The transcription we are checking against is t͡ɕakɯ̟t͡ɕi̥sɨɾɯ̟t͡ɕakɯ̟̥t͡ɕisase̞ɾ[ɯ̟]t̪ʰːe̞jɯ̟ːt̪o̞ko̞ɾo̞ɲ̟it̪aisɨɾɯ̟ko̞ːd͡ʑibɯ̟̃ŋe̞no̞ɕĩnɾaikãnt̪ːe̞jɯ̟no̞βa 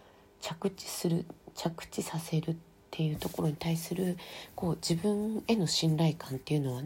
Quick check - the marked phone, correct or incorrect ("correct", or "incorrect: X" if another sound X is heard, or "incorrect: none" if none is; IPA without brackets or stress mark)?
correct